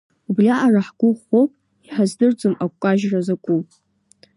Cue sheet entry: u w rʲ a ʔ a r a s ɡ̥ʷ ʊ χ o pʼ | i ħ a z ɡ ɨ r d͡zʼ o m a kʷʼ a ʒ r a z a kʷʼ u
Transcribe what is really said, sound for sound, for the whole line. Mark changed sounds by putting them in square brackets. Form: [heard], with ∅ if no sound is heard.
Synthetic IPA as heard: u [b] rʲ a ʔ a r a [ħ] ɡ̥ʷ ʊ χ o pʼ | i ħ a z [d] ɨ r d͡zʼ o m a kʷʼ a ʒ r a z a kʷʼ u

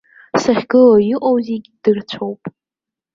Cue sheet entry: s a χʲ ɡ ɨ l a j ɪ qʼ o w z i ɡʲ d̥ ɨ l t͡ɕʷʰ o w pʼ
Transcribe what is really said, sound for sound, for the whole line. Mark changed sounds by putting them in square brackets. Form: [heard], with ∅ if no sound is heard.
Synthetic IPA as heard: s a χʲ ɡ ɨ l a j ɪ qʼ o w z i ɡʲ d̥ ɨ [r] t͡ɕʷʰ o w pʼ

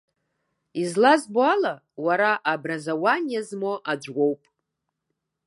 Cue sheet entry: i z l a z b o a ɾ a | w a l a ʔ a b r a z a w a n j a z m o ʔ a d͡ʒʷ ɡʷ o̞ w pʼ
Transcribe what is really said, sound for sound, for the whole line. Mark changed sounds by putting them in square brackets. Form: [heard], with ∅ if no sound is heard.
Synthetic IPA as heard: i z l a z b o a [l] a | w a [ɾ] a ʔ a b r a z a w a n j a z m o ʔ a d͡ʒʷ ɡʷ o̞ w pʼ

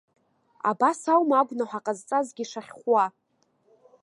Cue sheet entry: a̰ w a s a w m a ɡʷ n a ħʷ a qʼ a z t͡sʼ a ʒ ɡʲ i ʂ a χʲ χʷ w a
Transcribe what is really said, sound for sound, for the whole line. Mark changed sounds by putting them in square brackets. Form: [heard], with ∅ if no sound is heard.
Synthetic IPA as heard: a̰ [b] a s a w m a ɡʷ n a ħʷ a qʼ a z t͡sʼ a [z] ɡʲ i ʂ a χʲ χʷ w a

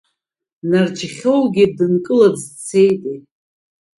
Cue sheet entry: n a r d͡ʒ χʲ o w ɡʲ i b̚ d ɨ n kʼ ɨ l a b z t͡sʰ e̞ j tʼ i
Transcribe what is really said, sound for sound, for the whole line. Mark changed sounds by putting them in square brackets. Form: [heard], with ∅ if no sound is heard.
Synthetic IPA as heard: n a r d͡ʒ χʲ o w ɡʲ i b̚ d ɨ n kʼ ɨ l a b z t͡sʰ e̞ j tʼ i

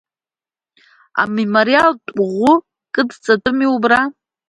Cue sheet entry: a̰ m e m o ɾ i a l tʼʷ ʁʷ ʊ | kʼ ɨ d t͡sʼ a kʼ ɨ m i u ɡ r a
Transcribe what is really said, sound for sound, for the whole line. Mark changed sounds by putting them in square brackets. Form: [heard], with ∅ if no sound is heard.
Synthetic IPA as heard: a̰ m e m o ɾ i a l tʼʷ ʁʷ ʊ | kʼ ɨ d t͡sʼ a [tʼ] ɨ m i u [b] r a

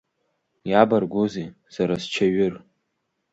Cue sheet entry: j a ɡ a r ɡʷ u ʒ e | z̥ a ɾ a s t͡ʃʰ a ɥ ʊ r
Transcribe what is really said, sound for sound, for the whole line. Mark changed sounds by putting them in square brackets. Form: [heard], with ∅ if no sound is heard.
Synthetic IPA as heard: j a [b] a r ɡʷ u [z] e | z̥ a ɾ a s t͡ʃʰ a ɥ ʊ r

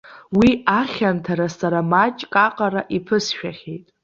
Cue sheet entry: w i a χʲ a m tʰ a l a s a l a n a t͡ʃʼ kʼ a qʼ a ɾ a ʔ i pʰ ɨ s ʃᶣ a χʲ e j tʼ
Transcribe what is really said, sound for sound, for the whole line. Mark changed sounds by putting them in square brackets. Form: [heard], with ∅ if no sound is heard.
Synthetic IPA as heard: w i a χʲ a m tʰ a [ɾ] a s a [ɾ] a [m] a t͡ʃʼ kʼ a qʼ a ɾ a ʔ i pʰ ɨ s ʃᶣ a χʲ e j tʼ

